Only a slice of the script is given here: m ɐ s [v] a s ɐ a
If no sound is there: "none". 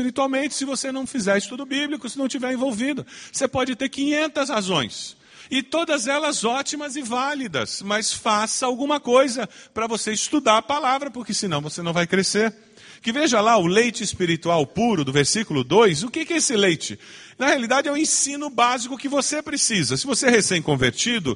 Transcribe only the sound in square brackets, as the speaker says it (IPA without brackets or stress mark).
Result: f